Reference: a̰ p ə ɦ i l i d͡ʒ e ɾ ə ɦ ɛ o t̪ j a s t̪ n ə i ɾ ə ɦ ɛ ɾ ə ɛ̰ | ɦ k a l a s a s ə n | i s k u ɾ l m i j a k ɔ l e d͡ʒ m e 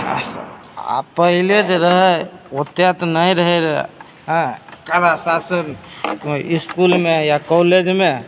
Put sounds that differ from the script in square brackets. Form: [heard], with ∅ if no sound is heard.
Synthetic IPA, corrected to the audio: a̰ p ə ɦ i l [e] d͡ʒ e ɾ ə ɦ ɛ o t̪ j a [∅] t̪ n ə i ɾ ə ɦ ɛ ɾ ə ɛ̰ | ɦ k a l a s a s ə n | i s k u [∅] l m [e] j a k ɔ l e d͡ʒ m e